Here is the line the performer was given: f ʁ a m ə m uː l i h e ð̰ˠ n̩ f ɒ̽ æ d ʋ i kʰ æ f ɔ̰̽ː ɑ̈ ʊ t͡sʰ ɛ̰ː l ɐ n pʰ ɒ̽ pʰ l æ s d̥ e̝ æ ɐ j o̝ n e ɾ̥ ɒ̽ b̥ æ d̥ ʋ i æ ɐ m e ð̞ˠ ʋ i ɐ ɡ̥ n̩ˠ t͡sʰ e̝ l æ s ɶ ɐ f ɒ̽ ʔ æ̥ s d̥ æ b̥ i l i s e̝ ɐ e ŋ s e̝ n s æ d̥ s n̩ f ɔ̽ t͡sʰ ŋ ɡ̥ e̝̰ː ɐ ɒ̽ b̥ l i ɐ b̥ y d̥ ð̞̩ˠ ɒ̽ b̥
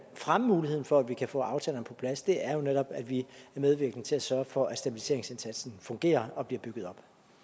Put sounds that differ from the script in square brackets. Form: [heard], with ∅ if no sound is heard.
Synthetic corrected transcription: f ʁ a m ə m uː l i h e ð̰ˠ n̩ f ɒ̽ æ d ʋ i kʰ æ f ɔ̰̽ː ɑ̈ ʊ t͡sʰ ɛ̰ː l ɐ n pʰ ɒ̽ pʰ l æ s d̥ e̝ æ ɐ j o̝ n e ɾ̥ ɒ̽ b̥ æ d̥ ʋ i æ ɐ m e ð̞ˠ ʋ i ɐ ɡ̥ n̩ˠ t͡sʰ e̝ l æ s ɶ ɐ f ɒ̽ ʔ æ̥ s d̥ æ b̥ i l i s e̝ ɐ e ŋ s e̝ n s æ d̥ s n̩ f ɔ̽ [∅] ŋ ɡ̥ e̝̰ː ɐ ɒ̽ b̥ l i ɐ b̥ y [ɡ̥] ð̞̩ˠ ɒ̽ b̥